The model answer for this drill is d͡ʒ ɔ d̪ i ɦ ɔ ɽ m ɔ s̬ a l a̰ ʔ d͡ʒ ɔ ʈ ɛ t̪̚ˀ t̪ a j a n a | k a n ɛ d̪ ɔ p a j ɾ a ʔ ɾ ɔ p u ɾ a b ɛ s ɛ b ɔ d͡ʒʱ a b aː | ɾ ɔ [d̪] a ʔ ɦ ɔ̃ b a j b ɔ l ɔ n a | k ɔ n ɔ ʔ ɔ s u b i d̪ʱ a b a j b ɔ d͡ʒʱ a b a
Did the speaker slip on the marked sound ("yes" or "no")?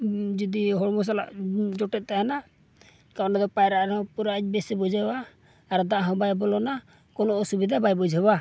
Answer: no